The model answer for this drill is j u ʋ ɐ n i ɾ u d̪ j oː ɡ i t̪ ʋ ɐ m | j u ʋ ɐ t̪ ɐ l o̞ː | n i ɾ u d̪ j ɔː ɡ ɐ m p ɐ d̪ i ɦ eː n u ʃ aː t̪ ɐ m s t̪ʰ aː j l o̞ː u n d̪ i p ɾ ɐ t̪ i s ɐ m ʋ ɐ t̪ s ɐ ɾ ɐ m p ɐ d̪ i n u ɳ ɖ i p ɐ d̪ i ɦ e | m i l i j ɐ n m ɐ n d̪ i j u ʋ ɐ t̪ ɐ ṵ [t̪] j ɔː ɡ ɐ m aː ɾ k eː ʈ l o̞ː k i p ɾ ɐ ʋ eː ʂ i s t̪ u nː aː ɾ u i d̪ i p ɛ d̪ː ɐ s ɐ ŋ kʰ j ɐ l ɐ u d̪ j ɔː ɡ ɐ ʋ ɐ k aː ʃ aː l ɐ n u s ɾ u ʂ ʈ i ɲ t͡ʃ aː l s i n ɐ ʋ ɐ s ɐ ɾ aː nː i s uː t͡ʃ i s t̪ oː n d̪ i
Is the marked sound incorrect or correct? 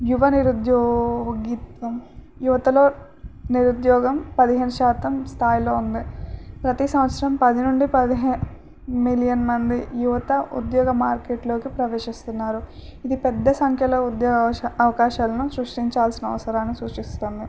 incorrect: d̪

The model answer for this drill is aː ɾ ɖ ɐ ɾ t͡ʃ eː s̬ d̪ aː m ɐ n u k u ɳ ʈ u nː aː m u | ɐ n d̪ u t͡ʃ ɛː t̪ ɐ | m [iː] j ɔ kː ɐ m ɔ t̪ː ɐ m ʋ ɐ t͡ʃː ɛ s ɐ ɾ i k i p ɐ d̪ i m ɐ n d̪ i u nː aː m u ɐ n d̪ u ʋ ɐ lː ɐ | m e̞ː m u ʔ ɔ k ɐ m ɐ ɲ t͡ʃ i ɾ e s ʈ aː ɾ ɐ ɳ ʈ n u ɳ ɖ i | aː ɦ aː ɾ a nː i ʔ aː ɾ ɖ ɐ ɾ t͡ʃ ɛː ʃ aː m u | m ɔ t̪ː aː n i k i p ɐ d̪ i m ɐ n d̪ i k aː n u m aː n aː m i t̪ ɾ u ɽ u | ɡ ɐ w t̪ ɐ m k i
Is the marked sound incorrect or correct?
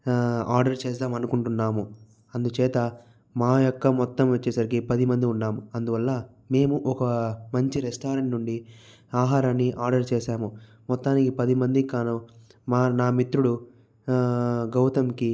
incorrect: aː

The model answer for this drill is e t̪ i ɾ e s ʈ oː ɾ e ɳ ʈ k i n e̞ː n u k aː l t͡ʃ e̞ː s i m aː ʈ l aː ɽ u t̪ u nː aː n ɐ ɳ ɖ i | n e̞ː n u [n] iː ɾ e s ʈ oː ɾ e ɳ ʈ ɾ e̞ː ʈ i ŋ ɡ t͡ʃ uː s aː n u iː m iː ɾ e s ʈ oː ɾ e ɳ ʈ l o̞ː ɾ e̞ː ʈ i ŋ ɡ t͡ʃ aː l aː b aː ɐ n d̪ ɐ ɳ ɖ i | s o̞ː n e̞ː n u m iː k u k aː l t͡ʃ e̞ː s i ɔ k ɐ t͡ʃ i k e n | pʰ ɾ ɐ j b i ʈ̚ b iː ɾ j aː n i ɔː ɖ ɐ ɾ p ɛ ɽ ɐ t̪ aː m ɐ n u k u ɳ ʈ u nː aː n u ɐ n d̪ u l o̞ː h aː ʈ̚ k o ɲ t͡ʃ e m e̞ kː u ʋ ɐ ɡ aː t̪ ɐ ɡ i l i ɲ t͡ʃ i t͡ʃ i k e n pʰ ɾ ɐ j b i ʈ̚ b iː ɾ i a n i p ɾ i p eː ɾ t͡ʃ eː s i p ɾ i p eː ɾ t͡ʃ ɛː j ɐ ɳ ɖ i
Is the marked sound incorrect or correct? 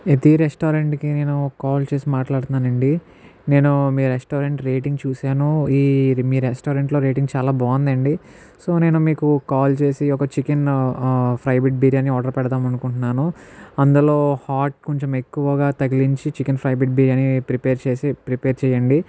incorrect: m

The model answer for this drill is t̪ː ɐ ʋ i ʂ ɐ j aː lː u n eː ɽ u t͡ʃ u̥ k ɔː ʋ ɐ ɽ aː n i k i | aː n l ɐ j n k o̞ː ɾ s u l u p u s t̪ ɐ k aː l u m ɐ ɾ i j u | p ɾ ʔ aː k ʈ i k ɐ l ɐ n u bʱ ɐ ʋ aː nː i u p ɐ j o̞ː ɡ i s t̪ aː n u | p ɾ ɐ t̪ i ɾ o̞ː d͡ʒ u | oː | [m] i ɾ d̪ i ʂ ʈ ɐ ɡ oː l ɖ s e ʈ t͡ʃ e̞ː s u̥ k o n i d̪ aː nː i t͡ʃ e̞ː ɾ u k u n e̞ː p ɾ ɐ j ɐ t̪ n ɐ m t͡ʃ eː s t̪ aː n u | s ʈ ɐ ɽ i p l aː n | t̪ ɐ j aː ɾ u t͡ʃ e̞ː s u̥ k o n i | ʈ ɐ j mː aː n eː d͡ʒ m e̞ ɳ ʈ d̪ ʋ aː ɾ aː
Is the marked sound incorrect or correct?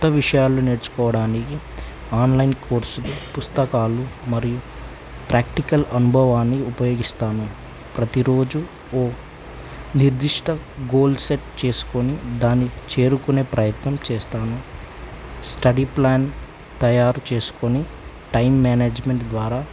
incorrect: n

